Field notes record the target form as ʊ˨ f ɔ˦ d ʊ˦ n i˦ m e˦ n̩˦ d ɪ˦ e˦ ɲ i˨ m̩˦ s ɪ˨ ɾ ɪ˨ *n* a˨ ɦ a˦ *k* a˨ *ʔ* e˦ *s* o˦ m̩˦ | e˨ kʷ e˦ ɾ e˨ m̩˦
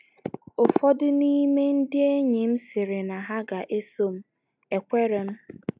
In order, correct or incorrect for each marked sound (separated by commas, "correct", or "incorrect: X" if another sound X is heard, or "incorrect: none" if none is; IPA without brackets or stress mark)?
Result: correct, incorrect: ɡ, correct, correct